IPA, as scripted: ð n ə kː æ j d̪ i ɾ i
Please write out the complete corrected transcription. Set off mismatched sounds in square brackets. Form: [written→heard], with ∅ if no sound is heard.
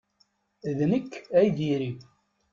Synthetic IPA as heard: ð n ə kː æ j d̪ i ɾ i